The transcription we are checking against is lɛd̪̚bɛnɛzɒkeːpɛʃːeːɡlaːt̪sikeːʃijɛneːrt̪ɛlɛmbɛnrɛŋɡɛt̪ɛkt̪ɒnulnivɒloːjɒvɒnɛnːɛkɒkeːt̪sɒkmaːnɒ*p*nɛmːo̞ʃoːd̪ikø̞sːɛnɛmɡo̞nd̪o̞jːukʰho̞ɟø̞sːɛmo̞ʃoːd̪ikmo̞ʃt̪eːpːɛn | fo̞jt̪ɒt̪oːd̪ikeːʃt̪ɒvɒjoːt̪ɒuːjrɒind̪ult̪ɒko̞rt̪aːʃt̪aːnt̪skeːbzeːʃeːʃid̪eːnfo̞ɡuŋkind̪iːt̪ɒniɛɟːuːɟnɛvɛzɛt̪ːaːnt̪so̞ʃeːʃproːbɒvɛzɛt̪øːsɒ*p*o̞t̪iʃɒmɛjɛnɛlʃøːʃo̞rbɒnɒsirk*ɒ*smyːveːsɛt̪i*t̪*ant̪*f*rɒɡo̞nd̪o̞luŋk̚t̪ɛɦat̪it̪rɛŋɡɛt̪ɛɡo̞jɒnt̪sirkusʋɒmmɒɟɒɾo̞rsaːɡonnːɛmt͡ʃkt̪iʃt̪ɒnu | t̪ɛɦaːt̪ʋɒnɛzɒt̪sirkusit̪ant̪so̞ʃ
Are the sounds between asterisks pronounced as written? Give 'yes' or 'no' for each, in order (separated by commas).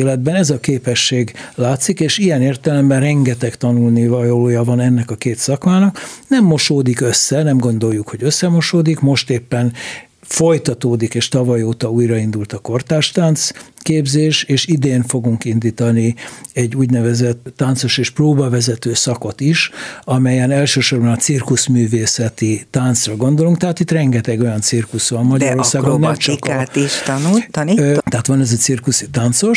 no, no, no, yes, no